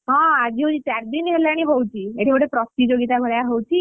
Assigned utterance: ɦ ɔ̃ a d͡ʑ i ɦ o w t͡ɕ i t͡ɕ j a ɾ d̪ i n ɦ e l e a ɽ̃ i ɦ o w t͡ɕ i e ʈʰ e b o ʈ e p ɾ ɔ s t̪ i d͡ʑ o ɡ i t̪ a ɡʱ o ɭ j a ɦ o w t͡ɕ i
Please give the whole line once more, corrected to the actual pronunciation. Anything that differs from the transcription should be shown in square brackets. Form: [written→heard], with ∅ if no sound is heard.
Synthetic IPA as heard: ɦ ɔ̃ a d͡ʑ i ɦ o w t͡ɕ i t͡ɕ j a ɾ d̪ i n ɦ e l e a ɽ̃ i ɦ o w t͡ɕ i e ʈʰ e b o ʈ e p ɾ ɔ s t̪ i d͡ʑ o ɡ i t̪ a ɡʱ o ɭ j a ɦ o w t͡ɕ i